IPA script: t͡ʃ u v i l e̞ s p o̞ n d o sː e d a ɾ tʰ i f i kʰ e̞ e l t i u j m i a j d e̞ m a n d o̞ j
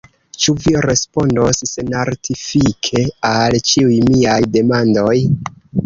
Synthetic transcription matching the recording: t͡ʃ u v i ɾ e̞ s p o̞ n d o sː e n a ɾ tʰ i f i kʰ e̞ a l t͡ʃ i u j m i a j d e̞ m a n d o̞ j